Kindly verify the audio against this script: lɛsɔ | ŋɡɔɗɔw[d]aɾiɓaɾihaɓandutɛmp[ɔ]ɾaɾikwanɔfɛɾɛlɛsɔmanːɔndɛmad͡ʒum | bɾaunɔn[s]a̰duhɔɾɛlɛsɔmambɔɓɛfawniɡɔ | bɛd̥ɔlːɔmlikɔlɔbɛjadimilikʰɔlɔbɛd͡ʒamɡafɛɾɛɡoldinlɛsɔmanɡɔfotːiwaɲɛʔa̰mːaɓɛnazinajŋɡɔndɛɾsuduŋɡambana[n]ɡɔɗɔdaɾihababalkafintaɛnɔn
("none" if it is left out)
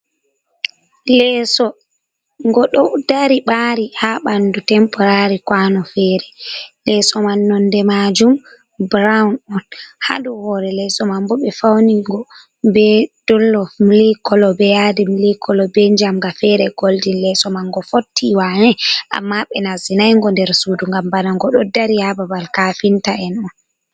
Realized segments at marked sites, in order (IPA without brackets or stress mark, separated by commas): d, ɔ, h, ŋ